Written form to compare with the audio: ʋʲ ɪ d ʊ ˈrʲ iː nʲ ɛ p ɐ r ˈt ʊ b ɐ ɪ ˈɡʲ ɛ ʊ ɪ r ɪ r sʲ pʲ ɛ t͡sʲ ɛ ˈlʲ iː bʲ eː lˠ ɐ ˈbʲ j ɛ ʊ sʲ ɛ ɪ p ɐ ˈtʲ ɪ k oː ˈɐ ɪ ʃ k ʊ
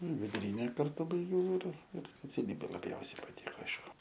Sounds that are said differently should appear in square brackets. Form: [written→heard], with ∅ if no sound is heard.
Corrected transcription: ʋʲ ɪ d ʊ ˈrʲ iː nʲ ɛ [p→k] ɐ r ˈt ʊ b ɐ ɪ ˈɡʲ ɛ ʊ ɪ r ɪ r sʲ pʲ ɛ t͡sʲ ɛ ˈlʲ iː bʲ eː lˠ ɐ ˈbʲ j ɛ ʊ sʲ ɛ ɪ p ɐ ˈtʲ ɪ k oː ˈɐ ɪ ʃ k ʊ